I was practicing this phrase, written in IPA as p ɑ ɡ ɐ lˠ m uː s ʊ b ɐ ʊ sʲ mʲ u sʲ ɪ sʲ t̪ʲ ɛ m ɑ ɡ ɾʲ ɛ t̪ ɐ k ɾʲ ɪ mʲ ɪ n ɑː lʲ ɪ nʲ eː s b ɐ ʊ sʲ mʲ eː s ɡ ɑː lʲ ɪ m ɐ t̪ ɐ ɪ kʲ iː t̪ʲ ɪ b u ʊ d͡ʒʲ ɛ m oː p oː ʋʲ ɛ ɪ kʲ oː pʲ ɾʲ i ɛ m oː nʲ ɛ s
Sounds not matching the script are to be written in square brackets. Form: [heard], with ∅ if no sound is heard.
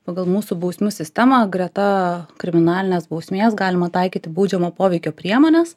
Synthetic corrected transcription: p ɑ ɡ ɐ lˠ m uː s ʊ b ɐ ʊ sʲ mʲ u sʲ ɪ sʲ t̪ʲ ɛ m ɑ ɡ ɾʲ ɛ t̪ ɐ k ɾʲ ɪ mʲ ɪ n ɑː lʲ ɪ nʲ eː s b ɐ ʊ sʲ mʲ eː s ɡ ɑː lʲ ɪ m ɐ t̪ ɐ ɪ kʲ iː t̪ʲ ɪ b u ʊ d͡ʒʲ ɛ m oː p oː ʋʲ ɛ ɪ kʲ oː pʲ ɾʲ i ɛ m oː nʲ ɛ s